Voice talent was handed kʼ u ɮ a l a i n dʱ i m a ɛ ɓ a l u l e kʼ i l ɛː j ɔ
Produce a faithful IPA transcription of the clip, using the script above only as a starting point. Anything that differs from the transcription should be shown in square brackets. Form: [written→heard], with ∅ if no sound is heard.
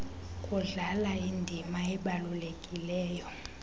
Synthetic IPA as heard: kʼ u ɮ a l a i n dʱ i m a ɛ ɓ a l u l e kʼ i l ɛː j ɔ